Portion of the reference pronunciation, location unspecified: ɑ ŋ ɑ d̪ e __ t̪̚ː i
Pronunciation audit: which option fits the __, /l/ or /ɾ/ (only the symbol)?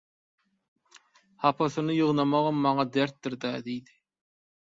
ɾ